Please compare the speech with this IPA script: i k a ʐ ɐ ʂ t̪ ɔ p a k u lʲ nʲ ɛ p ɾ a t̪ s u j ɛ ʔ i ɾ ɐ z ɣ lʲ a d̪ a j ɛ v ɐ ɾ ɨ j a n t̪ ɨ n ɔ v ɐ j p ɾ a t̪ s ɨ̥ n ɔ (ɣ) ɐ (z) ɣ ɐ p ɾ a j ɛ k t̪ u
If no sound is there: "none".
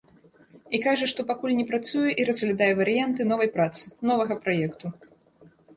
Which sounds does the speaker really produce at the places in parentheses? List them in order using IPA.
v, none

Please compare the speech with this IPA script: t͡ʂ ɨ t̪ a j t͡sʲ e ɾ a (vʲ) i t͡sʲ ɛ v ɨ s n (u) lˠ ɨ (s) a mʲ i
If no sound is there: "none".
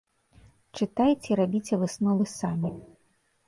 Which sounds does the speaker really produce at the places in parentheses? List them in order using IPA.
bʲ, ɔ, s

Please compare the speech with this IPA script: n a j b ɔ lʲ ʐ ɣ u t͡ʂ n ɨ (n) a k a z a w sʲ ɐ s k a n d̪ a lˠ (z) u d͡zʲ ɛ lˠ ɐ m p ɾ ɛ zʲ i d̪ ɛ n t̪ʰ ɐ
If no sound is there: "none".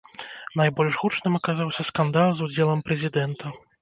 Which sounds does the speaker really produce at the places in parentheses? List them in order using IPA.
m, z

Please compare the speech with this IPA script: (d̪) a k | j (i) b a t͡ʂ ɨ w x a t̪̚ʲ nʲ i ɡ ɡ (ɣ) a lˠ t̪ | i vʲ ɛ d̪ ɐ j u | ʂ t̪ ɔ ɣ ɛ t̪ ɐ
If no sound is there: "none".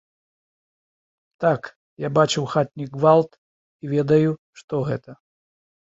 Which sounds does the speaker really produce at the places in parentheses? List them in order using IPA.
t̪, a, v

